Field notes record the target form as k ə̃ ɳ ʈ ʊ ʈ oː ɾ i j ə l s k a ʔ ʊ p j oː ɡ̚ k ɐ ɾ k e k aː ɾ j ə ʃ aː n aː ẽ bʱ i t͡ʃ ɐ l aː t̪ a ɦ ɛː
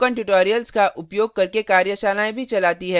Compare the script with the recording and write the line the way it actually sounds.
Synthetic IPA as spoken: k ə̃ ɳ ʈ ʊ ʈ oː ɾ i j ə l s k a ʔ ʊ p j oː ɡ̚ k ɐ ɾ k e k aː ɾ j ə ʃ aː n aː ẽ bʱ i t͡ʃ ɐ l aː t̪ i ɦ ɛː